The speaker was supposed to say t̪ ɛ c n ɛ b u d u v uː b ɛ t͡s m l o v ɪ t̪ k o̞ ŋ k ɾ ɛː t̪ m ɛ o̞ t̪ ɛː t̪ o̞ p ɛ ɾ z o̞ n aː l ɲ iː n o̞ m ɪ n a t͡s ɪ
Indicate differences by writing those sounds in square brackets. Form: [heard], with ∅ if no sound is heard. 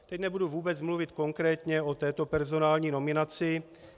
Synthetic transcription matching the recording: t̪ ɛ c n ɛ b u d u v uː b ɛ t͡s m l [u] v ɪ t̪ k o̞ ŋ k ɾ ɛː t̪ [ɲ] ɛ o̞ t̪ ɛː t̪ o̞ p ɛ ɾ z o̞ n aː l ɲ iː n o̞ m ɪ n a t͡s ɪ